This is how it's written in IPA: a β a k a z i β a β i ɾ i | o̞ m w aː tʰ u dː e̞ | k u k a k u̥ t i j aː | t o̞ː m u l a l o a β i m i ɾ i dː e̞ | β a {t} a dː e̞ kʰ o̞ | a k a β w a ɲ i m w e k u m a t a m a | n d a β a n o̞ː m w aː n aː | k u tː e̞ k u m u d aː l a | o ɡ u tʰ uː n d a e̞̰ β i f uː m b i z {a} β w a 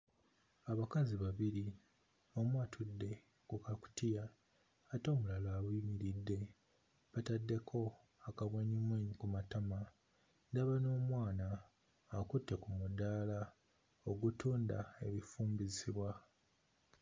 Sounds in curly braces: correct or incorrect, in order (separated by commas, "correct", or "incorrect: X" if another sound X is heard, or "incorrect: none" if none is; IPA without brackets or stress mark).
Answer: correct, incorrect: i